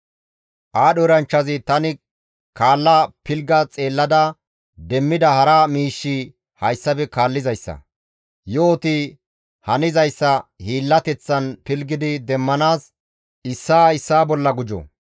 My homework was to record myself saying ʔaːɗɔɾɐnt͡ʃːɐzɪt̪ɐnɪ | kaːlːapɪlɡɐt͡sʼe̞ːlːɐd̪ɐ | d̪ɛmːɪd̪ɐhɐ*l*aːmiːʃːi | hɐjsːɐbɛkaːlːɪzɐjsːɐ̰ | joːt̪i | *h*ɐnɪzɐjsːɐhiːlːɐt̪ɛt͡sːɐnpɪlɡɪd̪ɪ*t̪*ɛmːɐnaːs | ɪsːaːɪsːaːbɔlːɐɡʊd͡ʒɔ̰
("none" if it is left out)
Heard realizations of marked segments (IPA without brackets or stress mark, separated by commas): ɾ, h, d̪